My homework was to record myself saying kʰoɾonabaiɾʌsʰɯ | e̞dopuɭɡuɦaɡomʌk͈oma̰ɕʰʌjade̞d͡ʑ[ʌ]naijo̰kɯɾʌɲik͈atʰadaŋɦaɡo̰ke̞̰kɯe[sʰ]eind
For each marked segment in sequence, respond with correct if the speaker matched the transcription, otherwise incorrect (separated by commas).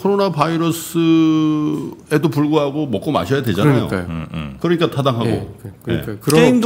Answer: incorrect, incorrect